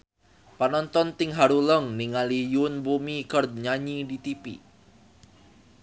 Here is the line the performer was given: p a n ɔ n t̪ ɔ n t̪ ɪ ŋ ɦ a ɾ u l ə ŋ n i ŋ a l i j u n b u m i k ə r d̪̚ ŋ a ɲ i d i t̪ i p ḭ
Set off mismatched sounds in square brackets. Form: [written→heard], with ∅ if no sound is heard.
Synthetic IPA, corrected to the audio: p a n ɔ n t̪ ɔ n t̪ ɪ ŋ ɦ a ɾ u l ə ŋ n i ŋ a l i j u n b u m i k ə r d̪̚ [ŋ→ɲ] a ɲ i d i t̪ i p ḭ